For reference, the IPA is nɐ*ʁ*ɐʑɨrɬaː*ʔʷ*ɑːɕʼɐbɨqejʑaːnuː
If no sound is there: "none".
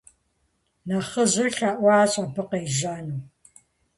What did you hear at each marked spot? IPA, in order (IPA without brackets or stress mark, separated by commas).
χ, ʔʷ